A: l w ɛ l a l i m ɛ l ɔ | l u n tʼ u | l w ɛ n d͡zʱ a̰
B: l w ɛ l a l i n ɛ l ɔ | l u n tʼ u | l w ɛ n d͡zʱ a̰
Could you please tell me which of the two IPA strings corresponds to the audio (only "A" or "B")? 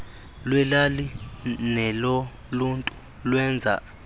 B